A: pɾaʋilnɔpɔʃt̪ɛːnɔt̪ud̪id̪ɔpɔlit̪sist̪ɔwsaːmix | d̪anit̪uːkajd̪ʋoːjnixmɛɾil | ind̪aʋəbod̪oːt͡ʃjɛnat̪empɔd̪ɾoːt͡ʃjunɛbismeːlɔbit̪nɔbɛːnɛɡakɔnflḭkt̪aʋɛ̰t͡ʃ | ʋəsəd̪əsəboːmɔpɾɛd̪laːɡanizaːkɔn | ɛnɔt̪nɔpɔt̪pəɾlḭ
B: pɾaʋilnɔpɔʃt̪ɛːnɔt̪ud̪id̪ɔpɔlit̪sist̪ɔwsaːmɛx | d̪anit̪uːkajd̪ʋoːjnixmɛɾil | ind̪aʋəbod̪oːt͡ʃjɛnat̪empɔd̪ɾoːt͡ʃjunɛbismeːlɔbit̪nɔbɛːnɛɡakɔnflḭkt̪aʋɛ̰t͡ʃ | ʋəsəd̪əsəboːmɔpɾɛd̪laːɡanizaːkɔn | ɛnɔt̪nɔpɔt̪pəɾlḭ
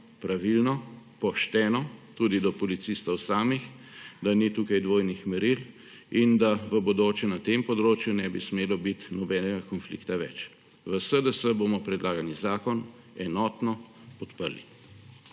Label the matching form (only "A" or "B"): A